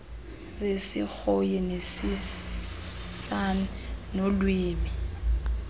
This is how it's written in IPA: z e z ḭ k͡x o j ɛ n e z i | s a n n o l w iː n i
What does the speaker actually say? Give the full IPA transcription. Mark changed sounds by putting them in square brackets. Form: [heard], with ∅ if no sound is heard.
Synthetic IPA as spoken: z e [s] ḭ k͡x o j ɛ n e [s] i | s a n n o l w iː [m] i